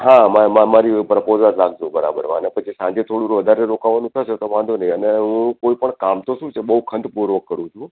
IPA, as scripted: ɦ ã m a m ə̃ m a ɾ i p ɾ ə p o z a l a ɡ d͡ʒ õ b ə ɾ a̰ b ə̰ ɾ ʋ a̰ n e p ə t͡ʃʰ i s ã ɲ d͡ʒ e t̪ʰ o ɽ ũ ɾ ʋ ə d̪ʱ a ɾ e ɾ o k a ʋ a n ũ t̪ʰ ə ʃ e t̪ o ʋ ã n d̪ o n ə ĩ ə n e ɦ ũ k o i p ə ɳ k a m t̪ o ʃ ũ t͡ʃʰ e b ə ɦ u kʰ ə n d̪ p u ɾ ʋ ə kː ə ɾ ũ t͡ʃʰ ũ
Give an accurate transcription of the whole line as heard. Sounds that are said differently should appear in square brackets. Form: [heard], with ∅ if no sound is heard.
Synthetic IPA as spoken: ɦ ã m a m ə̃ m a ɾ i p ɾ ə p o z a l a ɡ d͡ʒ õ b ə ɾ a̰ b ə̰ ɾ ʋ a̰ n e p ə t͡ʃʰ i s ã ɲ d͡ʒ e t̪ʰ o ɽ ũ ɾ ʋ ə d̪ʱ a ɾ e ɾ o k a ʋ a n ũ t̪ʰ ə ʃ e t̪ o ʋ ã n d̪ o n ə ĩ ə n e ɦ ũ k o i p ə ɳ k a m t̪ o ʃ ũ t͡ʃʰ e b ə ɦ u kʰ ə n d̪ p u ɾ ʋ ə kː ə ɾ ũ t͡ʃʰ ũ